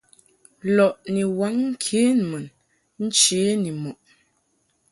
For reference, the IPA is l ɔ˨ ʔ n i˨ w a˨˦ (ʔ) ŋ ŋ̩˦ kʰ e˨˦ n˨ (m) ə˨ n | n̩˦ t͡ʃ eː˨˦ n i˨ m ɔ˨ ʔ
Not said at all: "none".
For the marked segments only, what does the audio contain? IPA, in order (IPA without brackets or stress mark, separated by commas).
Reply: none, m